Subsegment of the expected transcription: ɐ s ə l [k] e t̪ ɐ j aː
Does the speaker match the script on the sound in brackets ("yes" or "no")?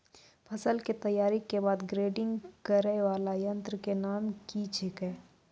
yes